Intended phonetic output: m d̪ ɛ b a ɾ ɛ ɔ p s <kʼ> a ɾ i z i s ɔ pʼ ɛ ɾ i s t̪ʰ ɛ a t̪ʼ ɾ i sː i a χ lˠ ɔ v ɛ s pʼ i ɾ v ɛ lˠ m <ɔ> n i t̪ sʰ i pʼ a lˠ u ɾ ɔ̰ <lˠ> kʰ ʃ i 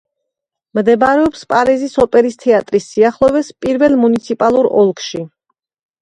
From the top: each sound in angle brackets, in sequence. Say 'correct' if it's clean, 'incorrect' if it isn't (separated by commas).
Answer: incorrect, incorrect, correct